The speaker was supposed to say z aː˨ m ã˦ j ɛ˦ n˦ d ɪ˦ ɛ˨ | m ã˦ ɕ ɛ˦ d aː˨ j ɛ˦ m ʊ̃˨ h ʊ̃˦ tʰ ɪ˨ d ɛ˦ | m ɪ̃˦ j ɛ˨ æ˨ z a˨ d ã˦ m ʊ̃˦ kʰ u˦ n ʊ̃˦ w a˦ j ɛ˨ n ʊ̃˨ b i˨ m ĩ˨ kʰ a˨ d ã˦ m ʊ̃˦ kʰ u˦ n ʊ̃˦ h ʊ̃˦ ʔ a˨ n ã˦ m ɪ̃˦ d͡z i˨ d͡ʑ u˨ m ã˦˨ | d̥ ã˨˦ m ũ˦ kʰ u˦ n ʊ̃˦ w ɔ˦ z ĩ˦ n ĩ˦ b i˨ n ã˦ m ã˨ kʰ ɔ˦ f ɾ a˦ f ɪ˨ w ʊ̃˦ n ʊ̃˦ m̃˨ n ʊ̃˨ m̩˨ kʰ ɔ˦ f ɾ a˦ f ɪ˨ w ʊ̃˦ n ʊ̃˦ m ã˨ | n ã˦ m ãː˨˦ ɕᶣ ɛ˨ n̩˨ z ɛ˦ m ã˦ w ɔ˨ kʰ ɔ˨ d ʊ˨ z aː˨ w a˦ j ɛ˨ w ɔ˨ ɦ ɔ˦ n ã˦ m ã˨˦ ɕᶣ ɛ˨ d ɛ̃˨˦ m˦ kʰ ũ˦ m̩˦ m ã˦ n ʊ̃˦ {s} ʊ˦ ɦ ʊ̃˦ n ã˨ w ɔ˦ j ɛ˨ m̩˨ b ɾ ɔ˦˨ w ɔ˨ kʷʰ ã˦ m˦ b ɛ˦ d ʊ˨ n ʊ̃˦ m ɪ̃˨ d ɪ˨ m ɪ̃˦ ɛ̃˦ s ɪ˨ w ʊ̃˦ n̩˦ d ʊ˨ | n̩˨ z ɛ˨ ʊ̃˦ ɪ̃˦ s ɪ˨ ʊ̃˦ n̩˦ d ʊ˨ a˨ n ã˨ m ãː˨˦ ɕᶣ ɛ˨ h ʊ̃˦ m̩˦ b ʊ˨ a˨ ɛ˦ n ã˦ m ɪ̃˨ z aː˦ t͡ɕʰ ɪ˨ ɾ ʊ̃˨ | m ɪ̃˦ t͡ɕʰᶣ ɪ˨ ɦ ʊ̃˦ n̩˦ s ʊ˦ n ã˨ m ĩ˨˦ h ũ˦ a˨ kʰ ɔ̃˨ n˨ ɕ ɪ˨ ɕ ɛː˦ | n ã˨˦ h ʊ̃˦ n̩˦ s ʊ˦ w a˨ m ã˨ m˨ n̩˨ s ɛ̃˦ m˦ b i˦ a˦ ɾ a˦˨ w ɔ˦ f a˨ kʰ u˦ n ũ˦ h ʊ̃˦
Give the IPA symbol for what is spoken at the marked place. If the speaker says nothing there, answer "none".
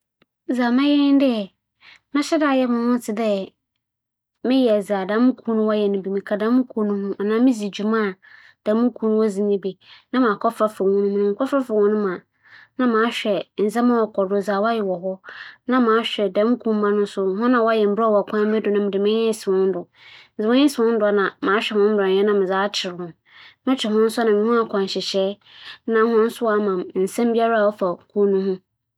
s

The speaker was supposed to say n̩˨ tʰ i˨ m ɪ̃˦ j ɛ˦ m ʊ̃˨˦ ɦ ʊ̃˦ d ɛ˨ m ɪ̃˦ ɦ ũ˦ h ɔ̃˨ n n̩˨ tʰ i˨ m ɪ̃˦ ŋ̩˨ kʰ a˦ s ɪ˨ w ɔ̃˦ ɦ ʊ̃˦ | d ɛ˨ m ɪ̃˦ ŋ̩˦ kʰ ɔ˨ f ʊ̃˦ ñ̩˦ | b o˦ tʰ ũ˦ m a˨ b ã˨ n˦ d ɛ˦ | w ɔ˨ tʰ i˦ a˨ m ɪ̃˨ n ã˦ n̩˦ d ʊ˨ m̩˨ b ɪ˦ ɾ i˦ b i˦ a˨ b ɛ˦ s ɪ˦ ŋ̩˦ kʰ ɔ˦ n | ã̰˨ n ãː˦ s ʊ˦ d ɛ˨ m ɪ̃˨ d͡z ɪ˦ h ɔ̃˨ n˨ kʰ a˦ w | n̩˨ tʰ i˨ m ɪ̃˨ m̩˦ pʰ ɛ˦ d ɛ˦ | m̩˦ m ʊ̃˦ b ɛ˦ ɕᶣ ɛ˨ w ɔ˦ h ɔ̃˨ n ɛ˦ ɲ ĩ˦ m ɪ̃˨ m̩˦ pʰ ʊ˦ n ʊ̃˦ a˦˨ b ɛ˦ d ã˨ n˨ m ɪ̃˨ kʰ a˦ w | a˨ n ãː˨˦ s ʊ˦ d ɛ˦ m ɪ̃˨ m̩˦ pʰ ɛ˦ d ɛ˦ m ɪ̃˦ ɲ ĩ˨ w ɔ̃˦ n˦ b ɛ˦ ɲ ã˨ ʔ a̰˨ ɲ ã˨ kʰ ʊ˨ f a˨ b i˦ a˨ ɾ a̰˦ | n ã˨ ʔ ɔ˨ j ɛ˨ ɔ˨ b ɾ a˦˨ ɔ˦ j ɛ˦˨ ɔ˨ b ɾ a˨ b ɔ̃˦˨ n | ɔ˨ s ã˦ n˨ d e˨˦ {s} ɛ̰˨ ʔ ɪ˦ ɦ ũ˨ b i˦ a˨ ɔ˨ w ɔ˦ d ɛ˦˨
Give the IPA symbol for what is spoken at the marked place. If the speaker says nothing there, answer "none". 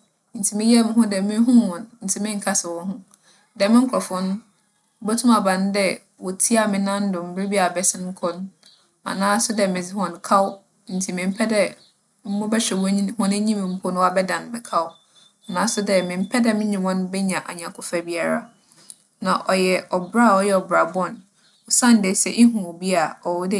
s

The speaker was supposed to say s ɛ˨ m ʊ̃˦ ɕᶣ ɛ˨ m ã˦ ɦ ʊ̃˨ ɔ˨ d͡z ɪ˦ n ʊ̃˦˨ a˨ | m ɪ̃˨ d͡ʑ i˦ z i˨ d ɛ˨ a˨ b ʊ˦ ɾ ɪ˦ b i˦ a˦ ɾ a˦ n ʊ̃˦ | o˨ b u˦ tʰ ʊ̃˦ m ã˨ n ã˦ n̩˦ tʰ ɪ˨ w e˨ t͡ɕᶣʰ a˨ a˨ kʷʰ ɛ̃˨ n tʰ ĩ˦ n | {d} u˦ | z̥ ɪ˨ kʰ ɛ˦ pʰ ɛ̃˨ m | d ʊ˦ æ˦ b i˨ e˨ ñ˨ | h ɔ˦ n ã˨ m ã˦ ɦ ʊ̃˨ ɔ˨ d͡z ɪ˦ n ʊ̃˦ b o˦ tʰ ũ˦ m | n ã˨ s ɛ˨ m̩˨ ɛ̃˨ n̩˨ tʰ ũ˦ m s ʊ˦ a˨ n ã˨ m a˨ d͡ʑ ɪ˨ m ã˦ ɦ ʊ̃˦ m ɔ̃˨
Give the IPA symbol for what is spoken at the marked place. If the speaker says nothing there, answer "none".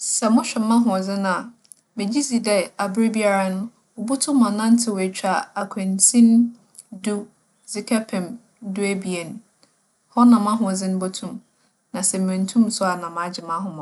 d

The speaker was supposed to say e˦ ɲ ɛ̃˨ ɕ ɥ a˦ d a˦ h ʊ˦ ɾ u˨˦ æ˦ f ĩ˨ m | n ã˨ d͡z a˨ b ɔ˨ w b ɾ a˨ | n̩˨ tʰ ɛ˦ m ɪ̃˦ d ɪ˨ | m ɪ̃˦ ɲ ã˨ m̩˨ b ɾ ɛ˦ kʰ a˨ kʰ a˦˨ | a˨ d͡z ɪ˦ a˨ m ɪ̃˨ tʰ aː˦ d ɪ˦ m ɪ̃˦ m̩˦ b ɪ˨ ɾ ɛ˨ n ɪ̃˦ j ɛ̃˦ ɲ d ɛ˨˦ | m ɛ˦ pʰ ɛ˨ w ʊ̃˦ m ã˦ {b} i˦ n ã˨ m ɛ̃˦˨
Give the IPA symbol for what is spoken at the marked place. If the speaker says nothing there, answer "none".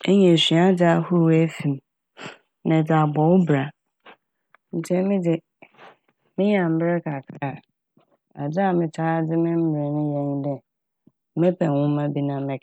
b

